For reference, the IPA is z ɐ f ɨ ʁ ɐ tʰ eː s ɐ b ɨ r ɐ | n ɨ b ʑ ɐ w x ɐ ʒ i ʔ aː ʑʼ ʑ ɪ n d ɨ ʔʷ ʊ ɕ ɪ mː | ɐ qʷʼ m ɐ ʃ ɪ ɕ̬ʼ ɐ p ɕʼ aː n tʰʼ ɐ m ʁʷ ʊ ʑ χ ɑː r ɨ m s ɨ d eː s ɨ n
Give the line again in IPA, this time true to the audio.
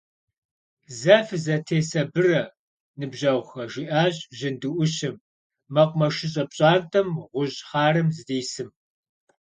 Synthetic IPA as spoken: z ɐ f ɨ z ɐ tʰ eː s ɐ b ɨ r ɐ | n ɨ b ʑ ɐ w x ɐ ʒ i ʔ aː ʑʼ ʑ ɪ n d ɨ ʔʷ ʊ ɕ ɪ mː | ɐ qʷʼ m ɐ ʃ ɪ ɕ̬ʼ ɐ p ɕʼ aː n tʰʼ ɐ m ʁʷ ʊ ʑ χ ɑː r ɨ m z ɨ d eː s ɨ m